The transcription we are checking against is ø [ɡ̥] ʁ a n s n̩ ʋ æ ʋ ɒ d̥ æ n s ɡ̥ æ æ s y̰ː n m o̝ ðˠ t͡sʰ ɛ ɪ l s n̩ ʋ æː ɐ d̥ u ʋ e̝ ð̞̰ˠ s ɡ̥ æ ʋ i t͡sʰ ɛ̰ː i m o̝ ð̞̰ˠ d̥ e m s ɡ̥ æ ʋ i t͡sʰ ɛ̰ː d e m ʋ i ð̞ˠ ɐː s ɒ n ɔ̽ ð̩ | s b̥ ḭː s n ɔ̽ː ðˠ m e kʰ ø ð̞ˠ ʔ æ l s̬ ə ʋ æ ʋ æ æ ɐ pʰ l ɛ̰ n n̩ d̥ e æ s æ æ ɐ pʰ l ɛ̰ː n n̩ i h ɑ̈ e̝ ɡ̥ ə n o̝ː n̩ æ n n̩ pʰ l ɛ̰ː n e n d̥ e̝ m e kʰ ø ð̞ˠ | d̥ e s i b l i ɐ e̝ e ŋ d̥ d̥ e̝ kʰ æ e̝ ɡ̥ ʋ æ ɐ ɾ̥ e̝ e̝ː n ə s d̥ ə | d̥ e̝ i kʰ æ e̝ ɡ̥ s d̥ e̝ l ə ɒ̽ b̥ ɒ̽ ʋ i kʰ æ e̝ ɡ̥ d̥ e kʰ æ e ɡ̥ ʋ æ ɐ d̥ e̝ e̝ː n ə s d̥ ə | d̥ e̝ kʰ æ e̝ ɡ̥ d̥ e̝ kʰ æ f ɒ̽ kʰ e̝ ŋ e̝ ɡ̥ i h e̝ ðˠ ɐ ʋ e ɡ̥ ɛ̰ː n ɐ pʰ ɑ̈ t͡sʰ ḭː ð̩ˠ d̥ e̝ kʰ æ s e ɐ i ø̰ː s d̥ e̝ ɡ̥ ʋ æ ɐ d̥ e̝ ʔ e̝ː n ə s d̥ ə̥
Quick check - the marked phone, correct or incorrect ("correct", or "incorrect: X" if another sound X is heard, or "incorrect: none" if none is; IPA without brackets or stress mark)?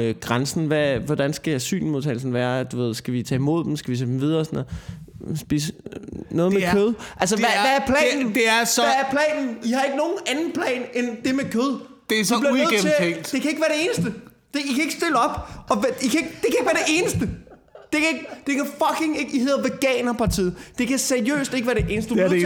correct